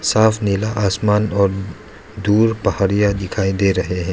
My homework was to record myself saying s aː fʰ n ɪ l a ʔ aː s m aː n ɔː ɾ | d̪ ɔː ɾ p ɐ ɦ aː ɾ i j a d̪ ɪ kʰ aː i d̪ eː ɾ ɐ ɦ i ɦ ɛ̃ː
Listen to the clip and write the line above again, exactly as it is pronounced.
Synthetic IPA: s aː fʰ n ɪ l a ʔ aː s m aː n ɔː ɾ | d̪ uː ɾ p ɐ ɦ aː ɾ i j a d̪ ɪ kʰ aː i d̪ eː ɾ ɐ ɦ e ɦ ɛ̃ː